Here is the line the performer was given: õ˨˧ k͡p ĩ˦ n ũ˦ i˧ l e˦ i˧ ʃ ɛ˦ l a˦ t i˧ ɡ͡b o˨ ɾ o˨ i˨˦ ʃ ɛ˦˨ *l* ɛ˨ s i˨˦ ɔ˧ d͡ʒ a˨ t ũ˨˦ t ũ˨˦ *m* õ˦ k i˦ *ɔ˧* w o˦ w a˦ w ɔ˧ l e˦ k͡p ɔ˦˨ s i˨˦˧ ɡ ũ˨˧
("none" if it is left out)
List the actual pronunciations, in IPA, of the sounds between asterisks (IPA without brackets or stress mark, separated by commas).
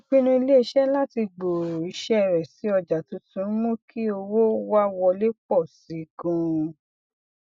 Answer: ɾ, m, o˧